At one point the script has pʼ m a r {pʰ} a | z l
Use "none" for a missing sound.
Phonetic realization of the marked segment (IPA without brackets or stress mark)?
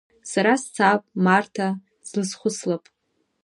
tʰ